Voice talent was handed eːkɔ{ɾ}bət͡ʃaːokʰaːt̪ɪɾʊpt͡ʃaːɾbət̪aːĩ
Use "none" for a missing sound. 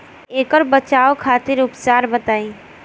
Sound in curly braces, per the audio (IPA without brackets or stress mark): ɾ